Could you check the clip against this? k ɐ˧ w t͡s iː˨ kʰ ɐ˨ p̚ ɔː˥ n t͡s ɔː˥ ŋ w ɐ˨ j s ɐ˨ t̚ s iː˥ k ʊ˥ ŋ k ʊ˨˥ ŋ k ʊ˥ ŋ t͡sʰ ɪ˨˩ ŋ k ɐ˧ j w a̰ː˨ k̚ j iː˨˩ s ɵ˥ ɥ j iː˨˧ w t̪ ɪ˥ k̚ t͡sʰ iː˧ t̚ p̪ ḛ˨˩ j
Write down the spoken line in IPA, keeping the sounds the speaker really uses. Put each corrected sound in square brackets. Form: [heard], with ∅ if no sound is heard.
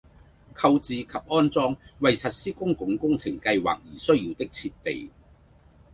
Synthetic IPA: [kʰ] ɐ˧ w t͡s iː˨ kʰ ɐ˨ p̚ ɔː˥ n t͡s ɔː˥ ŋ w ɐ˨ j s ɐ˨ t̚ s iː˥ k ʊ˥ ŋ k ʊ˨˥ ŋ k ʊ˥ ŋ t͡sʰ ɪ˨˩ ŋ k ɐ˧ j w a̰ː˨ k̚ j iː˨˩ s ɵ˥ ɥ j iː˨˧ w t̪ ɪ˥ k̚ t͡sʰ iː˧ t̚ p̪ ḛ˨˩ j